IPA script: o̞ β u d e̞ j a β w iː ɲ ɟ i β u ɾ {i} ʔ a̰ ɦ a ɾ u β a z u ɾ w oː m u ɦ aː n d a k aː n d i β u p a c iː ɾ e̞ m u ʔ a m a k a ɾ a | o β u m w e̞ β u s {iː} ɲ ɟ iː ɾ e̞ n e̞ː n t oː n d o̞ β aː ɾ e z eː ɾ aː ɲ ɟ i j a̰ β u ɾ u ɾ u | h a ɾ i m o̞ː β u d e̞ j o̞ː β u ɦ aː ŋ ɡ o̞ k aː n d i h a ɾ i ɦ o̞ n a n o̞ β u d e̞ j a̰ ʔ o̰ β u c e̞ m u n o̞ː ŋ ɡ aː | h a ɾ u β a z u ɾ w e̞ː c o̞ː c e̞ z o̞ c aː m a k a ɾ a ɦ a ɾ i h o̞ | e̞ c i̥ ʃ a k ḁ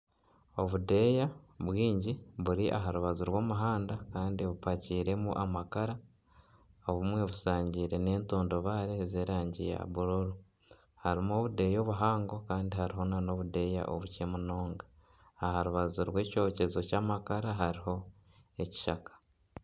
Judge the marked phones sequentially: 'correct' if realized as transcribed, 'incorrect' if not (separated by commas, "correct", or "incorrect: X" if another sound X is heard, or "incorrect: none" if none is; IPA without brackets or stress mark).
correct, incorrect: aː